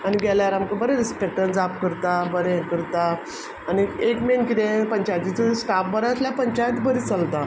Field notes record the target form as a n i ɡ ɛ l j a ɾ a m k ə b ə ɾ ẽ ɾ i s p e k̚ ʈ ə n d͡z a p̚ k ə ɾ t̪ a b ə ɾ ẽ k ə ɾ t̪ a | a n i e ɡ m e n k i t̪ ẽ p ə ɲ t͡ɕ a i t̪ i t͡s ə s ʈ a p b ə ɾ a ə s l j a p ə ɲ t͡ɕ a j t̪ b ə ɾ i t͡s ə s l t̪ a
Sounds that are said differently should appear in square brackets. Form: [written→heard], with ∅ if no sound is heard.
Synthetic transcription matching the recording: a n i ɡ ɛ l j a ɾ a m k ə b ə ɾ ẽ ɾ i s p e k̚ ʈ ə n d͡z a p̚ k ə ɾ t̪ a b ə ɾ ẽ k ə ɾ t̪ a | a n i e [ɡ→k] m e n k i t̪ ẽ p ə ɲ t͡ɕ a [i→j] t̪ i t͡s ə s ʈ a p b ə ɾ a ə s l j a p ə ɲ t͡ɕ a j t̪ b ə ɾ i t͡s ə [s→∅] l t̪ a